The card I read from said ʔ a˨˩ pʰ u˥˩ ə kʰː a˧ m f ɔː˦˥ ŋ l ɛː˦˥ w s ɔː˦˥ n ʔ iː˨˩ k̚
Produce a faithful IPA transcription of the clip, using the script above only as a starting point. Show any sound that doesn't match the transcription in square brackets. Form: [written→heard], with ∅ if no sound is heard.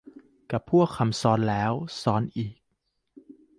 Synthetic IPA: [ʔ→k] a˨˩ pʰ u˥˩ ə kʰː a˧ m [f→s] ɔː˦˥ [ŋ→n] l ɛː˦˥ w s ɔː˦˥ n ʔ iː˨˩ k̚